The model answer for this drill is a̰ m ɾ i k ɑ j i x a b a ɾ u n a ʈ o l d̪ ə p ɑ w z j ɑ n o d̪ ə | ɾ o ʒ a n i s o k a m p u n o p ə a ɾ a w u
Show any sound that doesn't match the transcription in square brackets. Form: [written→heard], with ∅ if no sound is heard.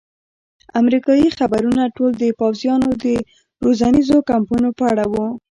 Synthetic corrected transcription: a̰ m ɾ i k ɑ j i x a b a ɾ u n a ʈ o l d̪ ə p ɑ w z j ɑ n o d̪ ə | ɾ o [ʒ→z] a n i [s→z] o k a m p u n o p ə a [ɾ→ɽ] a w u